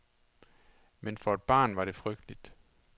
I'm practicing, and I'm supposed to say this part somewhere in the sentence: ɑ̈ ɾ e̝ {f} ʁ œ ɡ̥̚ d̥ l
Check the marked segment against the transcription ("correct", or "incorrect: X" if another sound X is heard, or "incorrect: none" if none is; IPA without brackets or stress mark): correct